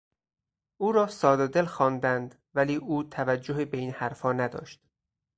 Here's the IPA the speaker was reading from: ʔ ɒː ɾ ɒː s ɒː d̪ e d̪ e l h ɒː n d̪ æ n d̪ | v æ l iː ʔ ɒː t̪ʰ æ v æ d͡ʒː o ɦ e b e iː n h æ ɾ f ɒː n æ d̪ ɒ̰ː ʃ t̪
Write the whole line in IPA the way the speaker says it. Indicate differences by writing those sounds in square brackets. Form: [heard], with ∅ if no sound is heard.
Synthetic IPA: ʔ [uː] ɾ ɒː s ɒː d̪ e d̪ e l [x] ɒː n d̪ æ n d̪ | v æ l iː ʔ [uː] t̪ʰ æ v æ d͡ʒː o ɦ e b e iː n h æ ɾ f ɒː n æ d̪ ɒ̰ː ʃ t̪